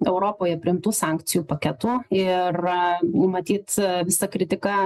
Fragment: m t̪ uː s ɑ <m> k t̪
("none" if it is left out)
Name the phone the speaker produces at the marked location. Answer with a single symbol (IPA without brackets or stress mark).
ŋ